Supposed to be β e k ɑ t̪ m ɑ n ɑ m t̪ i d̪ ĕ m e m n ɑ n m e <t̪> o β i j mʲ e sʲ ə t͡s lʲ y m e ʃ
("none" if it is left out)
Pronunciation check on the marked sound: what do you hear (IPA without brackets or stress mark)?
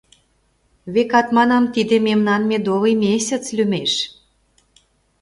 d̪